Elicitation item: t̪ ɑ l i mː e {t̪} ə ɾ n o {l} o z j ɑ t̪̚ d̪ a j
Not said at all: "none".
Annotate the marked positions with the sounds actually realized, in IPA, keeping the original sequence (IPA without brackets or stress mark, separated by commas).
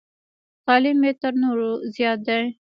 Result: t̪, ɾ